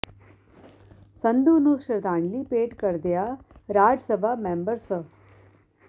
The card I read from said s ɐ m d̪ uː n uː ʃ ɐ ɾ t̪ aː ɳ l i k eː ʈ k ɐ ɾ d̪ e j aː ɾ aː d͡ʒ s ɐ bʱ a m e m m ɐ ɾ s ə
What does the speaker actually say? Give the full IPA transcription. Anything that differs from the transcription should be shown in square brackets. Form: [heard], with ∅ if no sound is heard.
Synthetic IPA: s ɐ [n] d̪ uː n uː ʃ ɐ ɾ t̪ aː ɳ l i [p] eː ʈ k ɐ ɾ d̪ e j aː ɾ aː d͡ʒ s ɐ bʱ a m e m [b] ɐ ɾ s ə

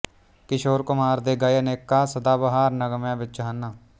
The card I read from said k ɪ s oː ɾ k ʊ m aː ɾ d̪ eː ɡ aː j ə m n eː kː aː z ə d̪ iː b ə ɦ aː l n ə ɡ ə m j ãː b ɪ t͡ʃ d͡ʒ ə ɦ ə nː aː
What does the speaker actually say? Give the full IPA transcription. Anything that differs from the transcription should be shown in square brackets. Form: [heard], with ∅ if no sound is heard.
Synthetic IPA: k ɪ [ʃ] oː ɾ k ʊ m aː ɾ d̪ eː ɡ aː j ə [∅] n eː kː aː [s] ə d̪ [aː] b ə ɦ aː [ɾ] n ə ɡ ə m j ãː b ɪ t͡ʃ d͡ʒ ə ɦ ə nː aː

